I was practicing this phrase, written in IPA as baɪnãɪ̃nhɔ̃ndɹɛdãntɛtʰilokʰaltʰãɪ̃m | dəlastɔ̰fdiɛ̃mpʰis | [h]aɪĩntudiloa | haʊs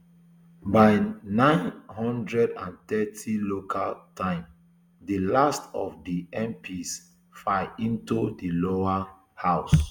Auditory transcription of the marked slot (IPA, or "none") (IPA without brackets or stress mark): f